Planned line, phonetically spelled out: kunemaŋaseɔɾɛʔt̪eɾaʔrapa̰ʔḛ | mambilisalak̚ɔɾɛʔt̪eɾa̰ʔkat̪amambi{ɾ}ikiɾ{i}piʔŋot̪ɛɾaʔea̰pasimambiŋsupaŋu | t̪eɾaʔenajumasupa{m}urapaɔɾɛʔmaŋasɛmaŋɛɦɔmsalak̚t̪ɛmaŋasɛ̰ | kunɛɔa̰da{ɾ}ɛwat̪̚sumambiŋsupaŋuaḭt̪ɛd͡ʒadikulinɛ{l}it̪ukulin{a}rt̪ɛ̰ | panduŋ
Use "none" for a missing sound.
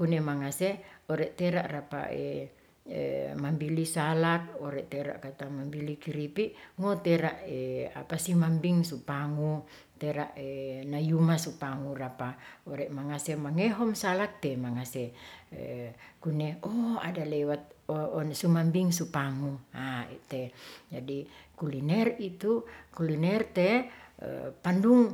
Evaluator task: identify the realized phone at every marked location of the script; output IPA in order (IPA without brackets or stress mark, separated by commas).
l, i, ŋ, l, r, ɛ